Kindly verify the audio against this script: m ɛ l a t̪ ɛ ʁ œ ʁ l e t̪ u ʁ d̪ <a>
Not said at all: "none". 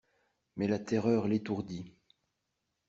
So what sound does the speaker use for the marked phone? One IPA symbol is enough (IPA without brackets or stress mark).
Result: i